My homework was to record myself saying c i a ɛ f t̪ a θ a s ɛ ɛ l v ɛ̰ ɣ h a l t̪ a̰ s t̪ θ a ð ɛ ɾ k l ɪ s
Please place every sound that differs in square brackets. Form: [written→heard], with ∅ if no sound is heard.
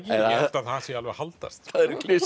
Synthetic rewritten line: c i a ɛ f t̪ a θ a s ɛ [ɛ→a] l v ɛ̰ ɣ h a l t̪ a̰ s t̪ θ a ð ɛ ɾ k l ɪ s